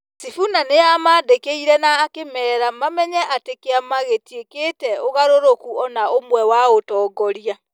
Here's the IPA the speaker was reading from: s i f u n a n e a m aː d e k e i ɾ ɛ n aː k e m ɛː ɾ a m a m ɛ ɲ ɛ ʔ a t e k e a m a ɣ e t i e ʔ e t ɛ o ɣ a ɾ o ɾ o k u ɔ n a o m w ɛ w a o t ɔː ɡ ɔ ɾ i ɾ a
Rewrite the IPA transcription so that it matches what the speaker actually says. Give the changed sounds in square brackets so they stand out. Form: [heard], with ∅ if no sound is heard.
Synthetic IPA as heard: s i f u n a n e a m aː d e k e i ɾ ɛ n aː k e m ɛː ɾ a m a m ɛ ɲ ɛ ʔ a t e k e a m a ɣ e t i e [k] e t ɛ o ɣ a ɾ o ɾ o k u ɔ n a o m w ɛ w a o t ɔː ɡ ɔ ɾ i [∅] a

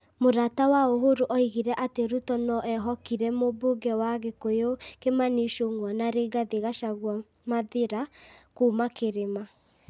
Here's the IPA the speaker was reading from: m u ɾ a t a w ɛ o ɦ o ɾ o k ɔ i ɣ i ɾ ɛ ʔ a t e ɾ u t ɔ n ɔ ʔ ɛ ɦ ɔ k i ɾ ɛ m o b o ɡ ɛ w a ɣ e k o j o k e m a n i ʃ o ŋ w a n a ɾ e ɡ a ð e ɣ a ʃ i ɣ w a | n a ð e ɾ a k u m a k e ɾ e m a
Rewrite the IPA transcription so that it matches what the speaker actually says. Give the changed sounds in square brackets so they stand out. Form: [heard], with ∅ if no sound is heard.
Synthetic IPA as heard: m [o] ɾ a t a w [a] o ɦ o ɾ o [ʔ] ɔ i ɣ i ɾ ɛ ʔ a t e ɾ u t ɔ n ɔ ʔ ɛ ɦ ɔ k i ɾ ɛ m o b o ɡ ɛ w a ɣ e k o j o k e m a n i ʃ o ŋ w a n a ɾ e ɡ a ð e ɣ a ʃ [a] ɣ w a | [m] a ð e ɾ a k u m a k e ɾ e m a

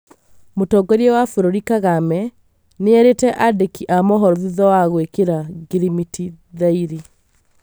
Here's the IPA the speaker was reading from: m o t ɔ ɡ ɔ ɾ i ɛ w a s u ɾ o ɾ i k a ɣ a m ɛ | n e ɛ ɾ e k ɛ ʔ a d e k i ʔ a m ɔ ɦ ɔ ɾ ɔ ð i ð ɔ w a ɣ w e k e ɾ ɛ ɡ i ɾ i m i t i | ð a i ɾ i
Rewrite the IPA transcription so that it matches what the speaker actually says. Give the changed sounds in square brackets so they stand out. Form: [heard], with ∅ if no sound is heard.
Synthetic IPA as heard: m o t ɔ ɡ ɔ ɾ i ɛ w a [f] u ɾ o ɾ i k a ɣ a m ɛ | n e ɛ ɾ e [t] ɛ ʔ a d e k i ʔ a m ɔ ɦ ɔ ɾ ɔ ð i ð ɔ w a ɣ w e k e ɾ [a] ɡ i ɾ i m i t i | ð a i ɾ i

